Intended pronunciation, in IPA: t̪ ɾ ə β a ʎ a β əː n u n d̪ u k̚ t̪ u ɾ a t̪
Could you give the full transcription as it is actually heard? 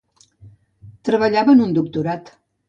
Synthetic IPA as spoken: t̪ ɾ ə β ə ʎ a β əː n u n d̪ u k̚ t̪ u ɾ a t̪